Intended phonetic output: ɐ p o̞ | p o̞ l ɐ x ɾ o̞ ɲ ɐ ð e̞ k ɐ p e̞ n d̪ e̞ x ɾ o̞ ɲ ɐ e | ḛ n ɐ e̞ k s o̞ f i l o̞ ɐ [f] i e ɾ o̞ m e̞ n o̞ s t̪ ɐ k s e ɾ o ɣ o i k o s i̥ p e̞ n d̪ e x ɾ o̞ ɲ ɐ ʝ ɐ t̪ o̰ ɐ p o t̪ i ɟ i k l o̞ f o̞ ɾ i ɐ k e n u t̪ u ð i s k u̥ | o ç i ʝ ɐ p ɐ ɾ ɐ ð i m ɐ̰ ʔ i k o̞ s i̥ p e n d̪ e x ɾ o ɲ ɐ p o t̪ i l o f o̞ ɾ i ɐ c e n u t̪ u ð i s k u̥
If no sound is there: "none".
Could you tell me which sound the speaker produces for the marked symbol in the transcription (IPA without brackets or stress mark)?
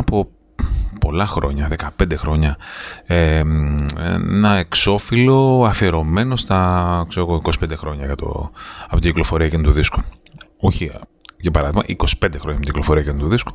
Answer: f